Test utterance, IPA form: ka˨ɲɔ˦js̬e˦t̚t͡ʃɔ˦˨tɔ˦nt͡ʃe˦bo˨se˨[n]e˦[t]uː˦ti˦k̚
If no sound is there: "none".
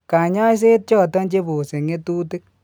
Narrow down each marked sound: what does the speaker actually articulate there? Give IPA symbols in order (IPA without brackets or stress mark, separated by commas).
ŋ, t